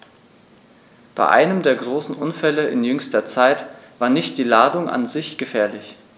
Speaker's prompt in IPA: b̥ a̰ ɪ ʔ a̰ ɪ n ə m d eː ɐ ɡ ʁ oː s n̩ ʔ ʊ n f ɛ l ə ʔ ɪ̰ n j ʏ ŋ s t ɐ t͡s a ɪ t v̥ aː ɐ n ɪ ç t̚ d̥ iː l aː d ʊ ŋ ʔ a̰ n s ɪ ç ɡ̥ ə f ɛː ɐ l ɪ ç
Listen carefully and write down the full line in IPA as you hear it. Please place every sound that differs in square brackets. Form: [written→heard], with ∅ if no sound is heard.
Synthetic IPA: b̥ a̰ ɪ ʔ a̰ ɪ n ə m d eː ɐ ɡ ʁ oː s n̩ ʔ ʊ n f ɛ l ə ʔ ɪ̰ n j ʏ ŋ s t ɐ t͡s a ɪ t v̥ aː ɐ n ɪ ç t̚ d̥ iː l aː d ʊ ŋ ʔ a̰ n [s→z] ɪ ç ɡ̥ ə f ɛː ɐ l ɪ ç

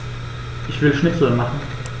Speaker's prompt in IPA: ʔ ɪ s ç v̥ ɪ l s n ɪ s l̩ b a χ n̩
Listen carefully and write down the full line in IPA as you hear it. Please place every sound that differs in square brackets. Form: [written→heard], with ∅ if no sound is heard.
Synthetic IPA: ʔ ɪ [s→∅] ç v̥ ɪ l [s→ʃ] n ɪ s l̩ [b→m] a χ n̩

